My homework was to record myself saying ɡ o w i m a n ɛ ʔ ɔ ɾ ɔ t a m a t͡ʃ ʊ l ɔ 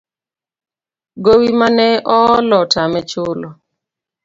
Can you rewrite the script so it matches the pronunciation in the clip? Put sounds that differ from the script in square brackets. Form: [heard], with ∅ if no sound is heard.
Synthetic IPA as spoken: ɡ o w i m a n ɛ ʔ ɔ [l] ɔ t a m [ɛ] t͡ʃ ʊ l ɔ